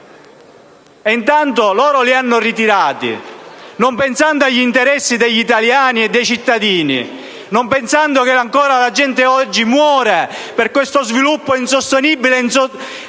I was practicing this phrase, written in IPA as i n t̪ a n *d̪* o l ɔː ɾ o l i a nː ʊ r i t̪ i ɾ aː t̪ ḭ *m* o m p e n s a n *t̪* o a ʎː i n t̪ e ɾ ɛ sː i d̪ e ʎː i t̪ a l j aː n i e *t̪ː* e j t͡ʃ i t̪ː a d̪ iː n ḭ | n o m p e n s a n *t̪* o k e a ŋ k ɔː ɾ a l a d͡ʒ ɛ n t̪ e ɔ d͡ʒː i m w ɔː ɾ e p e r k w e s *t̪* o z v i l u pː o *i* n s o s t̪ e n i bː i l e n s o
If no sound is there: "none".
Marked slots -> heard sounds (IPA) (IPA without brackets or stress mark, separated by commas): t̪, n, d̪, d̪ː, d̪, t̪, i